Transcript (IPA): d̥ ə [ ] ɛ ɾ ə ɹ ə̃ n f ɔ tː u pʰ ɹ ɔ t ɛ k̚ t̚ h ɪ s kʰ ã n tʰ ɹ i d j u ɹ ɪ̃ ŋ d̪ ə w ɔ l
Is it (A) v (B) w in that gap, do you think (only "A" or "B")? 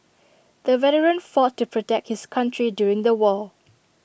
A